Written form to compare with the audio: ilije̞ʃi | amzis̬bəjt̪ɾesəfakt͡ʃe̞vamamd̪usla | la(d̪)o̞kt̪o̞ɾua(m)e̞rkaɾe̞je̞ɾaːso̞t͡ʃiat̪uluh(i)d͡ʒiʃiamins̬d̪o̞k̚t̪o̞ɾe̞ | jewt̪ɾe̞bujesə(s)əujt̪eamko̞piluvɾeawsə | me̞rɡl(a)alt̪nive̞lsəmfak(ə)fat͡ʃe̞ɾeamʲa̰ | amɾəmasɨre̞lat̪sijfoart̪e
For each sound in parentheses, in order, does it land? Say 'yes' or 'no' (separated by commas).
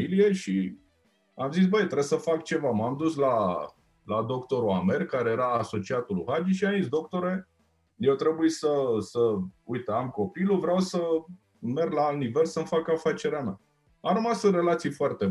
yes, yes, no, yes, yes, no